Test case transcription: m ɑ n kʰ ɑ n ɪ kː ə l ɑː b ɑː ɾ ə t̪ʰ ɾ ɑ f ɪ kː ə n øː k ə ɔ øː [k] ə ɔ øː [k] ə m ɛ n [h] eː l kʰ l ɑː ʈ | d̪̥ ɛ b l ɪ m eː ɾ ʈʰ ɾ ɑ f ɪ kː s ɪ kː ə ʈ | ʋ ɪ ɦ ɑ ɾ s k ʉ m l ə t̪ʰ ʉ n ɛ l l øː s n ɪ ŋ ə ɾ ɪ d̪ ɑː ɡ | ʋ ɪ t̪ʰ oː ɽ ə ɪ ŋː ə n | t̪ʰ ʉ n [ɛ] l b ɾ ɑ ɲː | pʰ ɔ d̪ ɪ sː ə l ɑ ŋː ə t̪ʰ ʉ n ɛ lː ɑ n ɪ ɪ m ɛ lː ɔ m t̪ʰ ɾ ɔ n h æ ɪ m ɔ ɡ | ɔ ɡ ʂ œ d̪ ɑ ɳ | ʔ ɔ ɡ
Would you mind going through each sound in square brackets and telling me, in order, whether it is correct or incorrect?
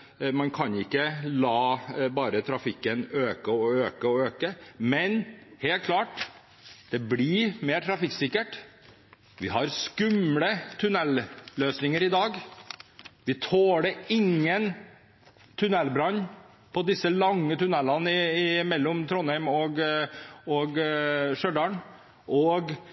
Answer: correct, correct, correct, correct

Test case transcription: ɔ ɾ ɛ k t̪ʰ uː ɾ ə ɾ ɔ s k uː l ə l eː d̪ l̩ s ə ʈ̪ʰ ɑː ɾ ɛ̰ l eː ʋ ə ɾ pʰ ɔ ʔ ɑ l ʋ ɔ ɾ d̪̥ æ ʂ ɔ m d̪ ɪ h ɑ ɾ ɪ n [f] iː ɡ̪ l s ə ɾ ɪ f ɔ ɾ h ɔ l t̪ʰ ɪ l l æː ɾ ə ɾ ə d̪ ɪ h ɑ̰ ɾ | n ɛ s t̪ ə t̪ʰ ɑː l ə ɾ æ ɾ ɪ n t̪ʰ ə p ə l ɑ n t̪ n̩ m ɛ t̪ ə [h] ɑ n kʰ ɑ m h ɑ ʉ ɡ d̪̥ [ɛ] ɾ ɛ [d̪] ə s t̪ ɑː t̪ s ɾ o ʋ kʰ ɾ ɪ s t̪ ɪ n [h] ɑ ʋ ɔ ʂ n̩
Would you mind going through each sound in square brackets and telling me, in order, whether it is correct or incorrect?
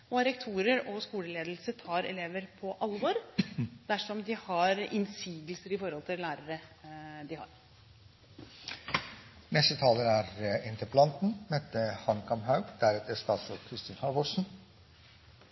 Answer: incorrect: s, correct, incorrect: æ, incorrect: t̪, correct

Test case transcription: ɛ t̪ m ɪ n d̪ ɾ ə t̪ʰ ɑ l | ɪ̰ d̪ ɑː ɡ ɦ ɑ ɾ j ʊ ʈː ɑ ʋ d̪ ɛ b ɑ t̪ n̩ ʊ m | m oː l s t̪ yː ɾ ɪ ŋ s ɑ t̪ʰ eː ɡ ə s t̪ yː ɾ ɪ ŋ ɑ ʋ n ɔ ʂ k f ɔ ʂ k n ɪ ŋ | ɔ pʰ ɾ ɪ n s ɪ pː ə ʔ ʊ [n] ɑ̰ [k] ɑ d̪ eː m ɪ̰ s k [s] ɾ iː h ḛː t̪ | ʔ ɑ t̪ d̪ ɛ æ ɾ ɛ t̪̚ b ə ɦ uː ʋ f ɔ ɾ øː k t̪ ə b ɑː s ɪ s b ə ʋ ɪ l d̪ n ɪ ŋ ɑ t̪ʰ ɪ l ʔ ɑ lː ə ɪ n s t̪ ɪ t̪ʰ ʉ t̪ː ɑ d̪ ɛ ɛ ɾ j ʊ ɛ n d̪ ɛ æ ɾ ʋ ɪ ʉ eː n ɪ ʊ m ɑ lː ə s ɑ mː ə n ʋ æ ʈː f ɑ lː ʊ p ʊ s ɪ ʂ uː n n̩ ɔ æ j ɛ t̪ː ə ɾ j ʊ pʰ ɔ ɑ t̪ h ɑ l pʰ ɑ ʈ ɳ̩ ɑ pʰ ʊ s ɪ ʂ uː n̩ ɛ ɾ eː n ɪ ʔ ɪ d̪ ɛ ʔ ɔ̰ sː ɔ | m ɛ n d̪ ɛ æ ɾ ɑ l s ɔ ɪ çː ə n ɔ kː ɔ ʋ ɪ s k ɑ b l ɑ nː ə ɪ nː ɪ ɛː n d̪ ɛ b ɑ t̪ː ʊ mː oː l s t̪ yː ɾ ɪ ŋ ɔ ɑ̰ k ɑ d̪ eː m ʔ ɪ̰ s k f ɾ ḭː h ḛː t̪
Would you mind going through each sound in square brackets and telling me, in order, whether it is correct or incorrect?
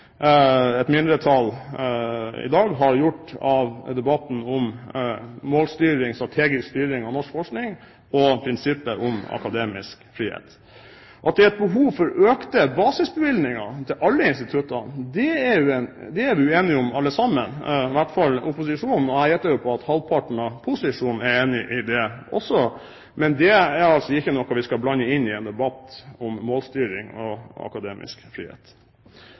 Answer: incorrect: m, correct, incorrect: f

